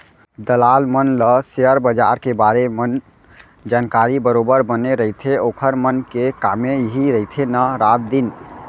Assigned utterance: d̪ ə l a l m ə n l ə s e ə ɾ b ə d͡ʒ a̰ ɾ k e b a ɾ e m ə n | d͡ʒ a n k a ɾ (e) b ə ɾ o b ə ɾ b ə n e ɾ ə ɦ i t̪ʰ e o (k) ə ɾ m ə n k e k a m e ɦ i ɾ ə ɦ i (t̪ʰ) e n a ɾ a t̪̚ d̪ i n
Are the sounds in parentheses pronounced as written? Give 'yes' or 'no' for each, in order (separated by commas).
no, no, yes